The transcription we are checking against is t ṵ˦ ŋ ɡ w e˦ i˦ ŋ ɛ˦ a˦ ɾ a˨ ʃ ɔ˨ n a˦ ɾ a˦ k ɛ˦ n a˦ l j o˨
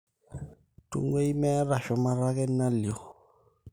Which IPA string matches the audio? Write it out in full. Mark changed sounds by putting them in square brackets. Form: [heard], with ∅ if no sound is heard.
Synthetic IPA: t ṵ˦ ŋ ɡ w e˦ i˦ [m] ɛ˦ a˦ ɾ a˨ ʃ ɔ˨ [m] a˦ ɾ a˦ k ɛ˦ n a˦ l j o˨